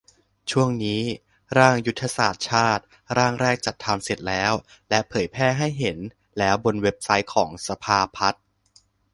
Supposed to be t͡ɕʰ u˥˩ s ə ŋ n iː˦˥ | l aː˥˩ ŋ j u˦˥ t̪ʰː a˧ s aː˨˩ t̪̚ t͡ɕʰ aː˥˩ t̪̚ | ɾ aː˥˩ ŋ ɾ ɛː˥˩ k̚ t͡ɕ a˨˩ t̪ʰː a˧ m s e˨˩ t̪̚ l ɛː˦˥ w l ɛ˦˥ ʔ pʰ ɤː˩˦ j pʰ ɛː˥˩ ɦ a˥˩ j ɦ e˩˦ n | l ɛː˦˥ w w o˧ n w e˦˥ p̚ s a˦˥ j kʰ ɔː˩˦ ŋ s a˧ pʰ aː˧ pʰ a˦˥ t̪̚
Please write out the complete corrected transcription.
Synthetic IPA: t͡ɕʰ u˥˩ ə ŋ n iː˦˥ | ɾ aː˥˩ ŋ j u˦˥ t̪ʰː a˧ s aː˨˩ t̪̚ t͡ɕʰ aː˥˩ t̪̚ | ɾ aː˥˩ ŋ ɾ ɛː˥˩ k̚ t͡ɕ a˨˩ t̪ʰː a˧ m s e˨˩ t̪̚ l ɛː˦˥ w l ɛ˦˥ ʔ pʰ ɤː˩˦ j pʰ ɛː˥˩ ɦ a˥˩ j ɦ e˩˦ n | l ɛː˦˥ w b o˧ n w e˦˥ p̚ s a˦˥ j kʰ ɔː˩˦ ŋ s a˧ pʰ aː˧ pʰ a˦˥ t̪̚